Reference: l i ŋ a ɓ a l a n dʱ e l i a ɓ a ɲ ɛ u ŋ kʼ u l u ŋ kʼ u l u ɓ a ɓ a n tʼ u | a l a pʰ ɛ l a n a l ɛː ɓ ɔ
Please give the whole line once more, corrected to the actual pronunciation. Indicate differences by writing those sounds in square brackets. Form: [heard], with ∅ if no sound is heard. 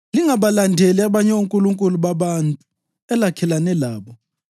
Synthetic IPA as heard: l i ŋ a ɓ a l a n dʱ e l i a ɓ a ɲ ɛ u ŋ kʼ u l u ŋ kʼ u l u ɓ a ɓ a n tʼ u | [ɛ] l a [kʰ] ɛ l a n [ɛ] l [aː] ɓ ɔ

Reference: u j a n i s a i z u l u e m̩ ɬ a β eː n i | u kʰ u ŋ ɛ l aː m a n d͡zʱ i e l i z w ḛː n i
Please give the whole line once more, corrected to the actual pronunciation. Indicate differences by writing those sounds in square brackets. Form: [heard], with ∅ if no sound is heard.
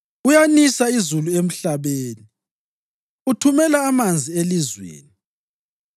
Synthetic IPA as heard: u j a n i s a i z u l u e m̩ ɬ a β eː n i | u [tʰ] u [m] ɛ l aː m a n d͡zʱ i e l i z w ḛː n i

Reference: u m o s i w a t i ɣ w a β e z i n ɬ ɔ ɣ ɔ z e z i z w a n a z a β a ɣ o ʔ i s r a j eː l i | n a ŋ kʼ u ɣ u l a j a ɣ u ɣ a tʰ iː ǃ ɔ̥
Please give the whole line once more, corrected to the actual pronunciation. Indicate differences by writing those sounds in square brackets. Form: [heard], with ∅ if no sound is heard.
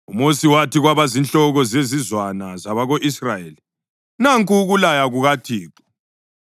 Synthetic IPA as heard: u m o s i w a t i ɣ w a β [a] z i n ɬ ɔ ɣ ɔ z e z i z w a n a z a β a ɣ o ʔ i s r a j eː l i | n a ŋ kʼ u ɣ u l a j a ɣ u ɣ a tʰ iː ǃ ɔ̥

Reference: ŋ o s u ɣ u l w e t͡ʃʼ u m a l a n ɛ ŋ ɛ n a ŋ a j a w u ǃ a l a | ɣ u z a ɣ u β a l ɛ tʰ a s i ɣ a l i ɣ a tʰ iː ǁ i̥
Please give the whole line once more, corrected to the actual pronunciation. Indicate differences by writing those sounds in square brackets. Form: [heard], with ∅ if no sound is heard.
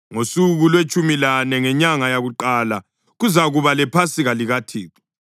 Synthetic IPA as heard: ŋ o s u ɣ u l w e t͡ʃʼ u m [i] l a n ɛ ŋ ɛ [ɲ] a ŋ a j a [ɣ] u ǃ a l a | ɣ u z a ɣ u β a l ɛ [pʰ] a s i ɣ a l i ɣ a tʰ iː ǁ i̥

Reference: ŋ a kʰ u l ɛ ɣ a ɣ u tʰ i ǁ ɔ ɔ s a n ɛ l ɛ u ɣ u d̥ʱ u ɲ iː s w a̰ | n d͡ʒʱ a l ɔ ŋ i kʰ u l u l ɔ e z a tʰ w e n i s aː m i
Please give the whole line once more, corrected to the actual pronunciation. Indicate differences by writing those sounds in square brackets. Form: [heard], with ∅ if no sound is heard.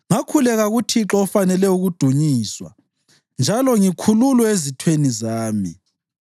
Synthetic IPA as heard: ŋ a kʰ u l ɛ ɣ a ɣ u tʰ i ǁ ɔ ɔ [f] a n ɛ l ɛ u ɣ u d̥ʱ u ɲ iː s w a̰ | n d͡ʒʱ a l ɔ ŋ i kʰ u l u l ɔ e z [i] tʰ w e n i [z] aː m i

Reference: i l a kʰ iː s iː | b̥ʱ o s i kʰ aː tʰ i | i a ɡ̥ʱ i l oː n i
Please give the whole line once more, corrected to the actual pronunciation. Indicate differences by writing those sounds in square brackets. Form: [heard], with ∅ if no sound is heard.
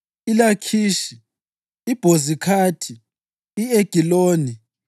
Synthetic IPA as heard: i l a kʰ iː [ʃ] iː | b̥ʱ o [z] i kʰ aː tʰ i | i [e] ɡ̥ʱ i l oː n i

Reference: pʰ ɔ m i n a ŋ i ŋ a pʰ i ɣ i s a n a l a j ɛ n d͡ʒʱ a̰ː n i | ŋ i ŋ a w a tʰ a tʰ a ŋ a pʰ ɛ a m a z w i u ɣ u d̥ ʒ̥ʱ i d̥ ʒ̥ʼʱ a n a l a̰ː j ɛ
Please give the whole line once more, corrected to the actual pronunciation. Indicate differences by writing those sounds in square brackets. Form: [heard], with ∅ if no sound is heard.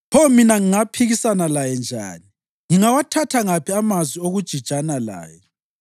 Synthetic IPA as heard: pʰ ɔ m i n a ŋ i ŋ a pʰ i ɣ i s a n a l a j ɛ n d͡ʒʱ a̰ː n i | ŋ i ŋ a w a tʰ a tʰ a ŋ a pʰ [i] a m a z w i [o] ɣ u d̥ ʒ̥ʱ i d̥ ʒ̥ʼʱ a n a l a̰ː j ɛ

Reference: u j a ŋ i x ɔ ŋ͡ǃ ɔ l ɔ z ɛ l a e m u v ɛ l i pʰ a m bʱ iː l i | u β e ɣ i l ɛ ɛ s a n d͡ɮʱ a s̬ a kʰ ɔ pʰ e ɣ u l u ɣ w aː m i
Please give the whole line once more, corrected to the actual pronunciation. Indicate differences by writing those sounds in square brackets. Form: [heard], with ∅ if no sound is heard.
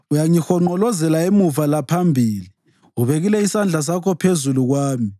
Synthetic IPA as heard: u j a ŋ i x ɔ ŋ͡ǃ ɔ l ɔ z ɛ l a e m u v [a] l [a] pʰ a m bʱ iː l i | u β e ɣ i l ɛ [i] s a n d͡ɮʱ a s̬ a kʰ ɔ pʰ e [z] u l u ɣ w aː m i

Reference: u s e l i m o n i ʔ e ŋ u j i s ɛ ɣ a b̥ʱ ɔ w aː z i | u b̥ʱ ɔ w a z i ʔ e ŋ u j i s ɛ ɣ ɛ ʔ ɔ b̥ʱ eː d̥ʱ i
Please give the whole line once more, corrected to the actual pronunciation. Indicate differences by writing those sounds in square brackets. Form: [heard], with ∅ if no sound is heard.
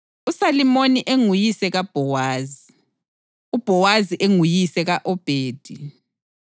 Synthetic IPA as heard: u s [a] l i m o n i ʔ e ŋ u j i s ɛ ɣ a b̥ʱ ɔ w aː z i | u b̥ʱ ɔ w a z i ʔ e ŋ u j i s ɛ ɣ [a] ʔ ɔ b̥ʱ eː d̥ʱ i

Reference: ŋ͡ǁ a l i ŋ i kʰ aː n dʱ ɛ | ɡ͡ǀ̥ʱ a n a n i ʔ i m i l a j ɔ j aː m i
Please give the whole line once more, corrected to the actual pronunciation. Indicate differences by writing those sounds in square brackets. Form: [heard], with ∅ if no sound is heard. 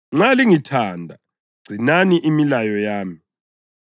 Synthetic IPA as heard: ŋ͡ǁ a l i ŋ i [tʰ] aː n dʱ [a] | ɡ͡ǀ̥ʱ [i] n a n i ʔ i m i l a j ɔ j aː m i

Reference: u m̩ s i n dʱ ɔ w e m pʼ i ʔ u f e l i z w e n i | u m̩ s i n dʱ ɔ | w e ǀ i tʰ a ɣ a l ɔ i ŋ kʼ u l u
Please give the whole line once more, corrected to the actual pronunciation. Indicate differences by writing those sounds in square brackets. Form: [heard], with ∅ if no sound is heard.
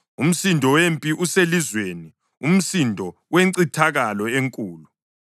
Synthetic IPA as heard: u m̩ s i n dʱ ɔ w e m pʼ i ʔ u [s] e l i z w e n i | u m̩ s i n dʱ ɔ | w e ǀ i tʰ a ɣ a l ɔ [e] ŋ kʼ [uː] l u

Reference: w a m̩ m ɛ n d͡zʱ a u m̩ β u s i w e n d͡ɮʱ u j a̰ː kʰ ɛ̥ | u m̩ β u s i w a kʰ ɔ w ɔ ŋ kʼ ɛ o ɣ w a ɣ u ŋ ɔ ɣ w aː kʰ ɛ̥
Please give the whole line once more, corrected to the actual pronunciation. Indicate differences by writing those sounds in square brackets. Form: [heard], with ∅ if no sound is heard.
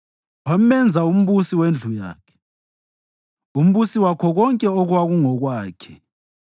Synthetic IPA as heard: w a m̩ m ɛ n d͡zʱ a u m̩ β u s i w e n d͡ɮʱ u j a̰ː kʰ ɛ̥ | u m̩ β u s i w a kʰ ɔ [ɣ] ɔ ŋ kʼ ɛ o ɣ w a ɣ u ŋ ɔ ɣ w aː kʰ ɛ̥

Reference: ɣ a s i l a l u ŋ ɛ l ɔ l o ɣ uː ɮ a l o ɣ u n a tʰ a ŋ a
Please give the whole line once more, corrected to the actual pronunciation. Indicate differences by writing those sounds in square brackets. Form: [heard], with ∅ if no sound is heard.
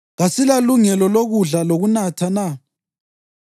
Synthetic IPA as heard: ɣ a s i l a l u ŋ ɛ l ɔ l o ɣ [u] ɮ a l o ɣ u n a tʰ a [n] a

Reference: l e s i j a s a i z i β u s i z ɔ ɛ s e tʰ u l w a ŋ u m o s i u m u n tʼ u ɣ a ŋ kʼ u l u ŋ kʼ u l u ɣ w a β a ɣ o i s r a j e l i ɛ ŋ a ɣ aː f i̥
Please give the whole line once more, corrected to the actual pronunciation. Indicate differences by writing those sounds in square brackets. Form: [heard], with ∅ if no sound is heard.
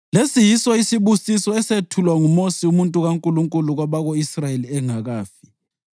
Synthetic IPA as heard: l e s i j [i] s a i [s] i β u s i [s] ɔ ɛ s e tʰ u l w a ŋ u m o s i u m u n tʼ u ɣ a ŋ kʼ u l u ŋ kʼ u l u ɣ w a β a ɣ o i s r a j e l i ɛ ŋ a ɣ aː f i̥

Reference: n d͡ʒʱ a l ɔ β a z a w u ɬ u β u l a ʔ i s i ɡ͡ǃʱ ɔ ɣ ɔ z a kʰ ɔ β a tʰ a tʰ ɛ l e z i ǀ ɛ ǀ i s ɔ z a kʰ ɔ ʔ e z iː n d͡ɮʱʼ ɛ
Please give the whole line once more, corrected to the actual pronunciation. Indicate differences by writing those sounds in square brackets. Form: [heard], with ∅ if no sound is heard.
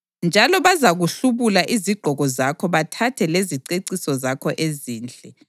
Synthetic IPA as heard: n d͡ʒʱ a l ɔ β a z a [ɣ] u ɬ u β u l a ʔ i [z] i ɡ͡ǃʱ ɔ ɣ ɔ z a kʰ ɔ β a tʰ a tʰ ɛ l e z i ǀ [e] ǀ i s ɔ z a kʰ ɔ ʔ e z iː n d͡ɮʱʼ ɛ

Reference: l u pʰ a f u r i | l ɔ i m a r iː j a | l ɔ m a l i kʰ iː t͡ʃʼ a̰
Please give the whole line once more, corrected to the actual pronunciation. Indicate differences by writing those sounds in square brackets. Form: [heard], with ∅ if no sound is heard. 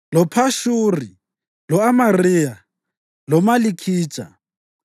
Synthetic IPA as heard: l [ɔ] pʰ a [ʃ] u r i | l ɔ [a] m a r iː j a | l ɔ m a l i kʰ iː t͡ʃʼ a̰

